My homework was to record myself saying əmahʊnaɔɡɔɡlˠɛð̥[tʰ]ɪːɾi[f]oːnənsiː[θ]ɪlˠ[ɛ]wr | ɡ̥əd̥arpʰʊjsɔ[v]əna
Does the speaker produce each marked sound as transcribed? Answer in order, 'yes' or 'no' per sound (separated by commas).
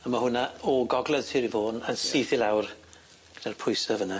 yes, no, yes, no, yes